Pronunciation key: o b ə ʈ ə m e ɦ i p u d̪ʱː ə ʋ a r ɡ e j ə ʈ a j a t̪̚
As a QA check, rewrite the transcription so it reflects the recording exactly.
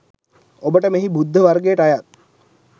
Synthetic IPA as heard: o b ə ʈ ə m e ɦ i b u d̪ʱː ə ʋ a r ɡ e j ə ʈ a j a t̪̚